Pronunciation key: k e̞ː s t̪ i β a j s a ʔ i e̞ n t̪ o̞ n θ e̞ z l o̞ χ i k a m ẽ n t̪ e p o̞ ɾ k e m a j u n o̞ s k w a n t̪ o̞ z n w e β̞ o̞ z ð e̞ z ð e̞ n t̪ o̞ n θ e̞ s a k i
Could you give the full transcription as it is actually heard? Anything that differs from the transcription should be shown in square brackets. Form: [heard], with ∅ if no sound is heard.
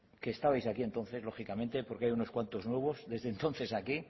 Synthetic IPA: k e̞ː s t̪ [a] β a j s a [k] i e̞ n t̪ o̞ n θ e̞ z l o̞ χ i k a m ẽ n t̪ e p o̞ ɾ k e [∅] a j u n o̞ s k w a n t̪ o̞ z n w e β̞ o̞ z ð e̞ z ð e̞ n t̪ o̞ n θ e̞ s a k i